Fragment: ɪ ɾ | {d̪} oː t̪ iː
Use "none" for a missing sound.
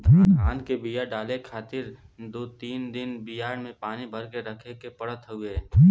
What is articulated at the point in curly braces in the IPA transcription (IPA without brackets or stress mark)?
d̪